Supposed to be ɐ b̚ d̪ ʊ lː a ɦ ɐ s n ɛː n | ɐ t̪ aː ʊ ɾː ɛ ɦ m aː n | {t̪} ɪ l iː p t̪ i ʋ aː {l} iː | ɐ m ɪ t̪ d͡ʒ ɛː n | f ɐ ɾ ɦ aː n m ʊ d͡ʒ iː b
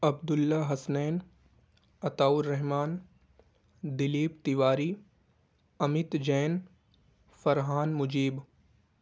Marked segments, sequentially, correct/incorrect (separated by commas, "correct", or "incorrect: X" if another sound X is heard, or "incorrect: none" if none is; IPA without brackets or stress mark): incorrect: d̪, incorrect: ɾ